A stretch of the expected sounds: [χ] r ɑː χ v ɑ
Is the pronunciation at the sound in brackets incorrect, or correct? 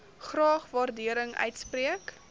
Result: correct